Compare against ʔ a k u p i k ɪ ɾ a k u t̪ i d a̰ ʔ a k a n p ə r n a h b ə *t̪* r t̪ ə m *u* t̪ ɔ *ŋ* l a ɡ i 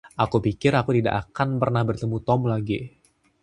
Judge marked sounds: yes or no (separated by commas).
no, yes, no